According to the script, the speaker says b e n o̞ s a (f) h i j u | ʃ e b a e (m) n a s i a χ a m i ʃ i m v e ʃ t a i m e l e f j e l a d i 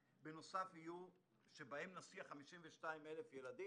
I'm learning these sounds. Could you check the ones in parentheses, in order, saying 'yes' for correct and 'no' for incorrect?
yes, yes

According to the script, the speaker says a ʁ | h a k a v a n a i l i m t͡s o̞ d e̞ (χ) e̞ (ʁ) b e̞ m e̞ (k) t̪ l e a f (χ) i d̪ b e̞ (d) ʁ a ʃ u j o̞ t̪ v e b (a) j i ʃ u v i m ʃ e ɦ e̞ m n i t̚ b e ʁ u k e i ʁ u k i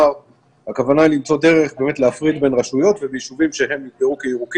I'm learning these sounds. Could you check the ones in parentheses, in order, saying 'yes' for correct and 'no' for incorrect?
no, no, no, no, no, no

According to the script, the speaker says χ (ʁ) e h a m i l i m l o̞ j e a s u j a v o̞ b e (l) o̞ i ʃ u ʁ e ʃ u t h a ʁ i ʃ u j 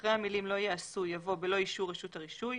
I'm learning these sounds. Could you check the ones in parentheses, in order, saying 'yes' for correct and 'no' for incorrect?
yes, yes

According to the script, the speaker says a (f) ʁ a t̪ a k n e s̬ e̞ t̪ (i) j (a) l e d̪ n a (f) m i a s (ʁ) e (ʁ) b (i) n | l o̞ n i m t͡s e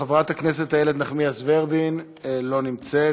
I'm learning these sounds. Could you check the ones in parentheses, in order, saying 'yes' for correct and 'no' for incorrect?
no, no, no, no, no, yes, yes

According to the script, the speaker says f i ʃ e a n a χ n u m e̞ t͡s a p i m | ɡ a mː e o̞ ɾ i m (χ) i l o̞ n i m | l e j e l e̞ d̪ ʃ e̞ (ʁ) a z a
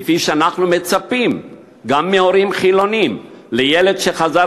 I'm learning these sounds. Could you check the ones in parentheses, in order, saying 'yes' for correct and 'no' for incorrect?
yes, no

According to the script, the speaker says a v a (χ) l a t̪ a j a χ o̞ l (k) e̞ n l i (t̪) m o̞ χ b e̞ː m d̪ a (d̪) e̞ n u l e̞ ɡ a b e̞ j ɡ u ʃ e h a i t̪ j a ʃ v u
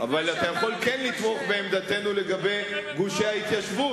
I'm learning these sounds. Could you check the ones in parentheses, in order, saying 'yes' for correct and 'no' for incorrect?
no, yes, yes, no

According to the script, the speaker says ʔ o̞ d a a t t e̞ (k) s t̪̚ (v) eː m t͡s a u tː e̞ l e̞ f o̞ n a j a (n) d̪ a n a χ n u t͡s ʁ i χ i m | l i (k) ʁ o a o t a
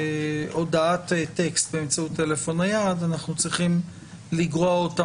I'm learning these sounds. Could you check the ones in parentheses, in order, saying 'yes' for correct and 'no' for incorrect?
yes, no, no, no

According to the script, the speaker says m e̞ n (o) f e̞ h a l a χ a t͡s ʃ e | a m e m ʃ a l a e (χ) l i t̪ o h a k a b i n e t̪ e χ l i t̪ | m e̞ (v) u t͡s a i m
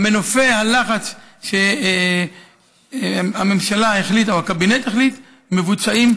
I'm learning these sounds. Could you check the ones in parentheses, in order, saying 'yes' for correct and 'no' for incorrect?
yes, yes, yes

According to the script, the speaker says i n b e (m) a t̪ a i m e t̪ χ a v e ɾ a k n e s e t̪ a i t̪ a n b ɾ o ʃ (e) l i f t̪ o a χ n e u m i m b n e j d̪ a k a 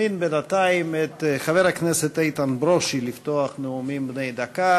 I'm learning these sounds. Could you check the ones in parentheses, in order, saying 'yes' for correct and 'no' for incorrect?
no, no

